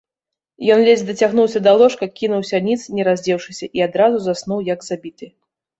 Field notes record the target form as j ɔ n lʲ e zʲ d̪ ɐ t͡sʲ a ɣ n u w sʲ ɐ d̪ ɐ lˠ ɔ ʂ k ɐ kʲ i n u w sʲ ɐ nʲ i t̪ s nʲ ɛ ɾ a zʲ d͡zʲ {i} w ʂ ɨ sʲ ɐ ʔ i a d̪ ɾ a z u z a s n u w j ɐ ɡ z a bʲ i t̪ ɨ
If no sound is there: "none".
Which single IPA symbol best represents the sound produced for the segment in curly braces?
ɛ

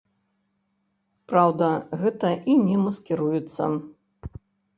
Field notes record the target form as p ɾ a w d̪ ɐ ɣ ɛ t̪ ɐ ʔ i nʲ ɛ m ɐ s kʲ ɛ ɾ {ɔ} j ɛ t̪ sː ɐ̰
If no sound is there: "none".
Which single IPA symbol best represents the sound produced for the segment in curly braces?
u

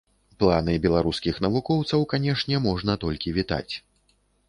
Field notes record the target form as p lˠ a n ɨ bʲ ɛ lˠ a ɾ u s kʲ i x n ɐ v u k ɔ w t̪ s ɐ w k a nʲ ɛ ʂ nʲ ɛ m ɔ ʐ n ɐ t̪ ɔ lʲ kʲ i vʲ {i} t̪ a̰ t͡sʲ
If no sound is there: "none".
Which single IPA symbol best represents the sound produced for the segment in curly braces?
i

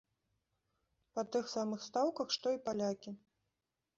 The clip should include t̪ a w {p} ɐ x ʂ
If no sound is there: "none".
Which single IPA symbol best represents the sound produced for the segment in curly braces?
k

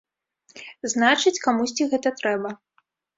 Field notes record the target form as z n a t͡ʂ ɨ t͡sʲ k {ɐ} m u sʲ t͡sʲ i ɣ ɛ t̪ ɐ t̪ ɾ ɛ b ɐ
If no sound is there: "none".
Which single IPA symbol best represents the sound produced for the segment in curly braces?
a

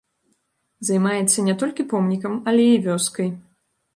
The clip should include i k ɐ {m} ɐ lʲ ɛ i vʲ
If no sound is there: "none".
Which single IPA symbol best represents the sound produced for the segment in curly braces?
m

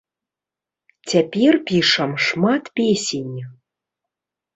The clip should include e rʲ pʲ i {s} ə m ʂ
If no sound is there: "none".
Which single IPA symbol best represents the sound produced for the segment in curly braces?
ʂ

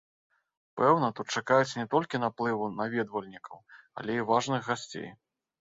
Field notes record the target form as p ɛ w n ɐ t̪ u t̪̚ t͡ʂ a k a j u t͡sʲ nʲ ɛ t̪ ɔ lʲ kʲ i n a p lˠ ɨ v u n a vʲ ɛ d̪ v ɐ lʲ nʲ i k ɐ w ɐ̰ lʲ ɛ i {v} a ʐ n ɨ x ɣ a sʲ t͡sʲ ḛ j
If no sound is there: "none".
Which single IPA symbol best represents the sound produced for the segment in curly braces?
v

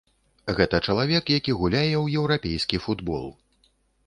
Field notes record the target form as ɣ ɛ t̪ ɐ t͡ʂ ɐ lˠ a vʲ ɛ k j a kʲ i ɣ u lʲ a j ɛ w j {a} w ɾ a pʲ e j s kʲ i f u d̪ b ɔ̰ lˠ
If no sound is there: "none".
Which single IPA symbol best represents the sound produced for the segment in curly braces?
ɛ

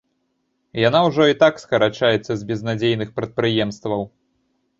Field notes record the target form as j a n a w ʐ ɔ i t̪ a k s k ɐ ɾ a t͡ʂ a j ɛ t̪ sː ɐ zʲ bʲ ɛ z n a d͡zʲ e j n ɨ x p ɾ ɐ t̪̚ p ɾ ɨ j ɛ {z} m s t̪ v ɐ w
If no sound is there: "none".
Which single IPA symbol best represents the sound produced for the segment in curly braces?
none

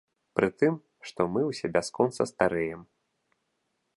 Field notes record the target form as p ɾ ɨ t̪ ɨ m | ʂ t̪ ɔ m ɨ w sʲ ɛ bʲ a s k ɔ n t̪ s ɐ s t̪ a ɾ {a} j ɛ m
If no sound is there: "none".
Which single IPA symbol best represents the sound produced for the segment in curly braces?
ɛ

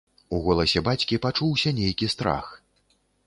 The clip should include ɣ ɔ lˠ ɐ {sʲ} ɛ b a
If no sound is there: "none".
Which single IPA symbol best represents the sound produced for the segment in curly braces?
sʲ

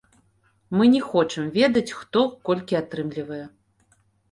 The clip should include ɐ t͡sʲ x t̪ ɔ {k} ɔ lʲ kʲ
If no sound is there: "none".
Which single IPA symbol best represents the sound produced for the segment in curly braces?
k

